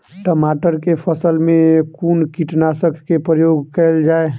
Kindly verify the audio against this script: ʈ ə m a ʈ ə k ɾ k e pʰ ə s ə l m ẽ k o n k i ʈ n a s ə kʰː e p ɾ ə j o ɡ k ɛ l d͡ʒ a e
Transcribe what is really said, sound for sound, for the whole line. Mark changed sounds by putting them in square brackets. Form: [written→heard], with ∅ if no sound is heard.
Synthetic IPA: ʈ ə m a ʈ ə [k→∅] ɾ k e pʰ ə s ə l m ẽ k [o→u] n k i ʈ n a s ə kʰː e p ɾ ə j o ɡ k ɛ l d͡ʒ a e

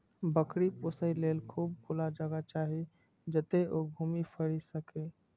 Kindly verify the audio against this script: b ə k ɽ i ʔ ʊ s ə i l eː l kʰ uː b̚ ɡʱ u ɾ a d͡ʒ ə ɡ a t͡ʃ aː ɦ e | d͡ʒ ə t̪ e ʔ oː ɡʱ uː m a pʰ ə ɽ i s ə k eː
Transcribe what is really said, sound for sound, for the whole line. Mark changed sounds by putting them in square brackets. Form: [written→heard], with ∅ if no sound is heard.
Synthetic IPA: b ə k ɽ i [ʔ→p] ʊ s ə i l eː l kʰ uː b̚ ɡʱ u [ɾ→l] a d͡ʒ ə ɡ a t͡ʃ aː ɦ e | d͡ʒ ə t̪ e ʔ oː ɡʱ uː m [a→i] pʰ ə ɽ i s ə k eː

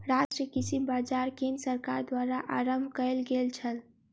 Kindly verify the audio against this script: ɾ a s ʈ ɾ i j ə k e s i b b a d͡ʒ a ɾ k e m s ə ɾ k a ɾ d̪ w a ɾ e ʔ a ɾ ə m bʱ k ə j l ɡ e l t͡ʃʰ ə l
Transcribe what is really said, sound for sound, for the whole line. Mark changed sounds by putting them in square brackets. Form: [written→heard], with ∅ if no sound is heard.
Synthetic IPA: ɾ a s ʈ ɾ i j ə k [e→i] s i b b a d͡ʒ a ɾ k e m s ə ɾ k a ɾ d̪ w a ɾ [e→a] ʔ a ɾ ə m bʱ k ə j l ɡ e l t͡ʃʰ ə l

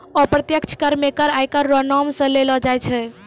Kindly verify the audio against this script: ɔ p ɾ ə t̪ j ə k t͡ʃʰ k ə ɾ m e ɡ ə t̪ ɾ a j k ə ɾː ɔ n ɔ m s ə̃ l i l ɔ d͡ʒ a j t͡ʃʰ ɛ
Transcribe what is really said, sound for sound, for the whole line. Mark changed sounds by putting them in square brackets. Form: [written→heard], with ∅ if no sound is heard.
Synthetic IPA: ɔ p ɾ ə t̪ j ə k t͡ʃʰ k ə ɾ m e [ɡ→k] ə [t̪→∅] ɾ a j k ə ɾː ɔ n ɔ m s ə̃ l [i→e] l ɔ d͡ʒ a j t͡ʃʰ ɛ

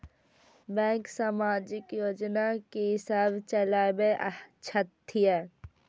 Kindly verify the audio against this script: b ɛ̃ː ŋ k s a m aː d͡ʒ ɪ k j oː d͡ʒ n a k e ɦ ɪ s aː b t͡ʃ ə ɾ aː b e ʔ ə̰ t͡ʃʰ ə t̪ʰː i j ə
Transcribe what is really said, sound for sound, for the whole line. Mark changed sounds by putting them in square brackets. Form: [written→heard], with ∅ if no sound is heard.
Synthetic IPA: b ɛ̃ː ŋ k s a m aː d͡ʒ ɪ k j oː d͡ʒ n a k e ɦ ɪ s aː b t͡ʃ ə [ɾ→l] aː b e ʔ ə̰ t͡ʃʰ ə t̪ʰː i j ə

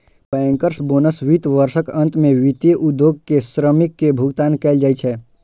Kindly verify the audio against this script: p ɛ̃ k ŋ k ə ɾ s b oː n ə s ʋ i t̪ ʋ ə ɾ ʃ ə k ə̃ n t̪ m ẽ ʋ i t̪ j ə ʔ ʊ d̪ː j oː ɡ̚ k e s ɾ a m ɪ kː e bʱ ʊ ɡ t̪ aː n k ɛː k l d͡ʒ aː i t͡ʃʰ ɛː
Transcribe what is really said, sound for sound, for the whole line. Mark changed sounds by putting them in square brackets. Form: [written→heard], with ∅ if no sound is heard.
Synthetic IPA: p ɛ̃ [k→∅] ŋ k ə ɾ s b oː n ə s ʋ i t̪ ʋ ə ɾ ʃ ə k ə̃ n t̪ m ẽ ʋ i t̪ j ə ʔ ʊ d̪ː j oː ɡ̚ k e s ɾ [a→ə] m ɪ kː e bʱ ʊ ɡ t̪ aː n k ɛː [k→∅] l d͡ʒ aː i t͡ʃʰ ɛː

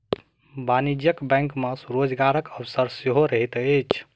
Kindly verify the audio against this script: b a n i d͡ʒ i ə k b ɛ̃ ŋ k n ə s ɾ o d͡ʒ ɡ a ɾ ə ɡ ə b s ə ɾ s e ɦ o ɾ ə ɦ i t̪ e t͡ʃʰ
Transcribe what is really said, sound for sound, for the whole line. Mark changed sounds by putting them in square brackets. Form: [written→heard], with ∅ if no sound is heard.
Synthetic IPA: b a n i d͡ʒ [i→j] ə k b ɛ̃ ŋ k [n→m] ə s ɾ o d͡ʒ ɡ a ɾ ə [ɡ→k] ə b s ə ɾ s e ɦ o ɾ ə ɦ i t̪ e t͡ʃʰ

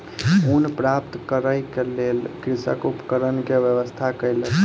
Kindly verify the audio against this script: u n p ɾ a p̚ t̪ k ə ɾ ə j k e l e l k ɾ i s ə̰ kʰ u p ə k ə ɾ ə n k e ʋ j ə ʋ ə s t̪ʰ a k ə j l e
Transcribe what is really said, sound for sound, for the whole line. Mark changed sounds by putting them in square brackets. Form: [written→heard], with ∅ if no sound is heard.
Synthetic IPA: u n p ɾ a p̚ t̪ k ə ɾ ə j k e l e l k ɾ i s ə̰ [kʰ→k] u p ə k ə ɾ ə n k e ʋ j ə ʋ ə s t̪ʰ a k ə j l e

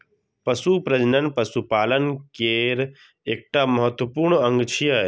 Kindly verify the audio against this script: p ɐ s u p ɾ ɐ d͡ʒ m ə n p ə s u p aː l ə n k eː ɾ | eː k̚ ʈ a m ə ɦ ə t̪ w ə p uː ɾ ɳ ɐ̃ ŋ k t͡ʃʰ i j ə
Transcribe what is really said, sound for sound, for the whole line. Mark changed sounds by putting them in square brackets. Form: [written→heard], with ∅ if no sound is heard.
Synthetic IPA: p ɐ s u p ɾ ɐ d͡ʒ [m→n] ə n p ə s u p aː l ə n k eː ɾ | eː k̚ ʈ a m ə ɦ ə t̪ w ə p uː ɾ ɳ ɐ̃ ŋ [k→ɡ] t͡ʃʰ i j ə

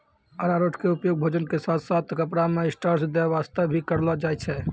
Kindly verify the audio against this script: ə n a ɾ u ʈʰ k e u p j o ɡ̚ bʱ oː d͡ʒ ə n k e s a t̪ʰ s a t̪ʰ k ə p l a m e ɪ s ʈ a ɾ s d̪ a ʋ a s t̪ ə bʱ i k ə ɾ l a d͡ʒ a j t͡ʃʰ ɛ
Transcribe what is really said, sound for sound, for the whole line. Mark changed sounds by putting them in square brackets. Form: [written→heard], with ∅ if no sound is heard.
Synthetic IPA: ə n a ɾ [u→o] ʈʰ k e u p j o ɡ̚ bʱ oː d͡ʒ ə n k e s a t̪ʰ s a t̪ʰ k ə p [l→ɽ] a m e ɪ s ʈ a ɾ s d̪ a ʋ a s t̪ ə bʱ i k ə ɾ l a d͡ʒ a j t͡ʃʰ ɛ

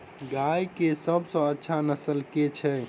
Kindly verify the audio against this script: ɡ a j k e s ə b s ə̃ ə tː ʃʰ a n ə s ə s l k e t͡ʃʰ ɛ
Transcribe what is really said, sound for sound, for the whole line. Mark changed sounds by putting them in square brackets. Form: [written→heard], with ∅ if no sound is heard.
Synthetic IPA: ɡ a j k e s ə b s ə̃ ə tː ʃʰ a n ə s ə [s→∅] l k e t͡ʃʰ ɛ

